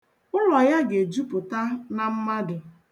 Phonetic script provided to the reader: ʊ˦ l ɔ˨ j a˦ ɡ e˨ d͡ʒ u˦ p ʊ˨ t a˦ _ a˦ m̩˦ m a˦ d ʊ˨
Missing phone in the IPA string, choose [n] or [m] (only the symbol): n